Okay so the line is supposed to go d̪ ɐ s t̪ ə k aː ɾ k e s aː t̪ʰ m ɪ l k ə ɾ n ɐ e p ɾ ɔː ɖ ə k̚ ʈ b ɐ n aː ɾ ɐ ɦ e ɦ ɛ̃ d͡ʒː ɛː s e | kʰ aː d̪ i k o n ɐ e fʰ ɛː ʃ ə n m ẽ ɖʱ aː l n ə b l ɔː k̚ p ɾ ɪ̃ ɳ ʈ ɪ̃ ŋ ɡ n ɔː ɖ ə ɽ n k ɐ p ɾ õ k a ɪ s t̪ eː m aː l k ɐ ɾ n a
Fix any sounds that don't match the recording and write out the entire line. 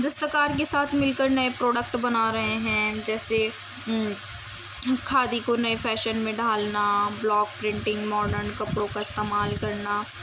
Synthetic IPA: d̪ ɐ s t̪ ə k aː ɾ k e s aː t̪ʰ m ɪ l k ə ɾ n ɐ e p ɾ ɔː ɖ ə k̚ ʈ b ɐ n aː ɾ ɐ ɦ e ɦ ɛ̃ d͡ʒ ɛː s e | kʰ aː d̪ i k o n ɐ e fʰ ɛː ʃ ə n m ẽ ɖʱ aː l n a b l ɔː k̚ p ɾ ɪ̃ ɳ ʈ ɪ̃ ŋ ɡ m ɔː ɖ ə ɾ n k ɐ p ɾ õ k a ɪ s t̪ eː m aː l k ɐ ɾ n a